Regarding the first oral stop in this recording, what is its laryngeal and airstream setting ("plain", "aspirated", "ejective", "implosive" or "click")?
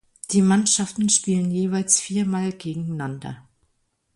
plain